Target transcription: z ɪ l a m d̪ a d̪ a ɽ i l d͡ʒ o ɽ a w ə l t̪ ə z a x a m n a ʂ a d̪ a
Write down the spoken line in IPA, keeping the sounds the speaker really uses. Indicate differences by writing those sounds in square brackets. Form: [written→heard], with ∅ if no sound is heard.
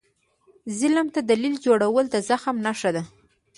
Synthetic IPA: z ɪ l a m [d̪→t̪] a d̪ a [ɽ→l] i l d͡ʒ o ɽ a w ə l [t̪→d̪] ə z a x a m n a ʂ a d̪ a